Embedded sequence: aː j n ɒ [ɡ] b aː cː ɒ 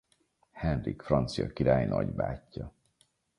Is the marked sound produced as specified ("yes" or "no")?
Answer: no